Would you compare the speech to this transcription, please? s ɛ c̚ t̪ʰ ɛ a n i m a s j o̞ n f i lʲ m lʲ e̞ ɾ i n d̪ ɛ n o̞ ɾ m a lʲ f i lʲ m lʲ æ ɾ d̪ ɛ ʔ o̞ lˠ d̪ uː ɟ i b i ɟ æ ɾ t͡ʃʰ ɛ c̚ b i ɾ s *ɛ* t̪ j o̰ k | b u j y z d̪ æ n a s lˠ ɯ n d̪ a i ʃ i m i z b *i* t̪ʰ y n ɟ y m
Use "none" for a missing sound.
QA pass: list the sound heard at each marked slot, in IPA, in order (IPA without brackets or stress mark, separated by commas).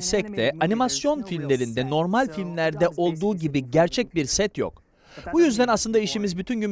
ɛ, y